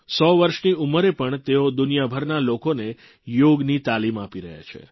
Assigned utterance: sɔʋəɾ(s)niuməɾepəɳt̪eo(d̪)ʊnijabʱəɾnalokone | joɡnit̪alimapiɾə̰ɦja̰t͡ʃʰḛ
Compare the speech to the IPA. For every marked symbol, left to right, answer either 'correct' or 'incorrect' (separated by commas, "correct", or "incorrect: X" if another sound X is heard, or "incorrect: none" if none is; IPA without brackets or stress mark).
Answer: incorrect: ʃ, correct